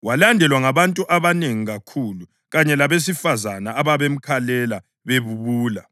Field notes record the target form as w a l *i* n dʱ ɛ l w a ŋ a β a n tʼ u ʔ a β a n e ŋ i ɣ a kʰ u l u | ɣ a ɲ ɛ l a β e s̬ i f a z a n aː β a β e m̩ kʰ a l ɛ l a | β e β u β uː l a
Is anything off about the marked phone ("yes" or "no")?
yes